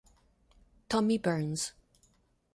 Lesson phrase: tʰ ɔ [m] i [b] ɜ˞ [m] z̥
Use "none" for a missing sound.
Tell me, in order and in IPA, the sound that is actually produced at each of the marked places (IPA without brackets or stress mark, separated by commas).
m, b, n